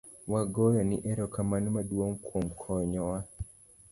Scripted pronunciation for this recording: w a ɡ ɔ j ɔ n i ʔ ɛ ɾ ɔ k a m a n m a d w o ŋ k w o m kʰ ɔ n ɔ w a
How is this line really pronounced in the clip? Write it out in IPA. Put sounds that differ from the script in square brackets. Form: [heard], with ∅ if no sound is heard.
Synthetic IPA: w a ɡ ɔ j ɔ n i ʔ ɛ ɾ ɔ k a m a n m a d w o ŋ k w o m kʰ ɔ [ɲ] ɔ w a